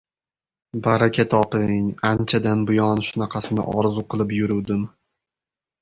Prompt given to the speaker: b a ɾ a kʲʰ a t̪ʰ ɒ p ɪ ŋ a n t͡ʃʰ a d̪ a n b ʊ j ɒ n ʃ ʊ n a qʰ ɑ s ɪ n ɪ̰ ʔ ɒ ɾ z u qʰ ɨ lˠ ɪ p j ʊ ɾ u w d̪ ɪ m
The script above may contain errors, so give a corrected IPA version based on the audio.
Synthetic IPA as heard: b a ɾ a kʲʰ a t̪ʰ ɒ p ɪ ŋ a n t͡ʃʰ a d̪ a n b ʊ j ɒ n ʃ ʊ n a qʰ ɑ s ɪ n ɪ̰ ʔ ɒ ɾ z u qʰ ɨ lˠ ɪ p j ʊ ɾ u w d̪ ɪ m